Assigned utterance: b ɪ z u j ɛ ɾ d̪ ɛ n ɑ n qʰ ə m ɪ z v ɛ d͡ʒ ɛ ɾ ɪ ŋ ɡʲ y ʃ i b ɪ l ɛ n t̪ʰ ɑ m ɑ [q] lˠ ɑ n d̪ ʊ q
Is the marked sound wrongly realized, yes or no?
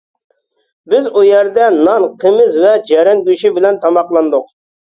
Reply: no